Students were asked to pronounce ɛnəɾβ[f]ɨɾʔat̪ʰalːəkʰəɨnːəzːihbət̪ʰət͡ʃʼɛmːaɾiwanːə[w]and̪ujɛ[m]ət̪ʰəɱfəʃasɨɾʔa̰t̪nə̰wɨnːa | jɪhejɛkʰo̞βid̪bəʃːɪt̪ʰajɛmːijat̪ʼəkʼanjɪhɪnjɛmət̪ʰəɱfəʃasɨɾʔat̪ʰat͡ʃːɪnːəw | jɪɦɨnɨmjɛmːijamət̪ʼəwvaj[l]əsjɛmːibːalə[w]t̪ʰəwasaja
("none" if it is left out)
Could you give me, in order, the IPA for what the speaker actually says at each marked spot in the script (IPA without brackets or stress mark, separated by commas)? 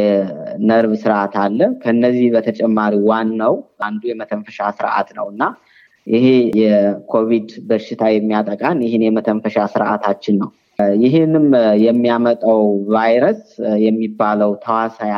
s, w, m, ɾ, w